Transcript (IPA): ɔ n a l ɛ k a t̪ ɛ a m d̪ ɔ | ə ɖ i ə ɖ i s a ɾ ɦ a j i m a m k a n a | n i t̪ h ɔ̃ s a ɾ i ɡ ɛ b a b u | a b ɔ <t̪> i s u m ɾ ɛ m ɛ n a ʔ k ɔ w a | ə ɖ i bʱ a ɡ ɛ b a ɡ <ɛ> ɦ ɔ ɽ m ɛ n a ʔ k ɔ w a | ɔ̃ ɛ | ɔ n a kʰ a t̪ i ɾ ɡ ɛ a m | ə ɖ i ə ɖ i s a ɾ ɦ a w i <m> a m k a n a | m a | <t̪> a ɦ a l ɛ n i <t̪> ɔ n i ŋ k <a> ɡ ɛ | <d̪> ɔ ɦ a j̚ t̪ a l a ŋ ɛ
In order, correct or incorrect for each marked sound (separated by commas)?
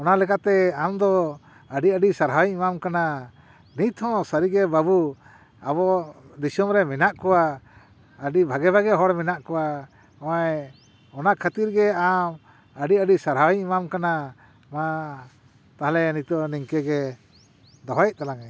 incorrect, correct, correct, correct, correct, incorrect, correct